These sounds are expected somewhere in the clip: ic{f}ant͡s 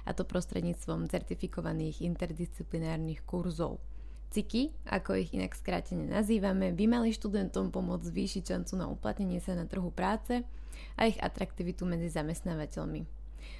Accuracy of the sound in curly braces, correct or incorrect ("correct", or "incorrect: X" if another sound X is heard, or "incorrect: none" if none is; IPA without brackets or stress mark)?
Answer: incorrect: ʃ